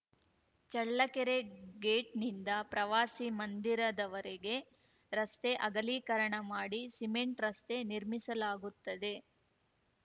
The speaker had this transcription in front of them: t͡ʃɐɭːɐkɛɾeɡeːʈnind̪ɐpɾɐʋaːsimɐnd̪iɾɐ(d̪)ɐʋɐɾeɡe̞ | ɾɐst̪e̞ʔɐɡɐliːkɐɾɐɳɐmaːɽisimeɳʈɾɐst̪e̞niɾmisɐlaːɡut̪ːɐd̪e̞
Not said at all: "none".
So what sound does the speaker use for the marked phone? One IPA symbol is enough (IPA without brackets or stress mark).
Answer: d̪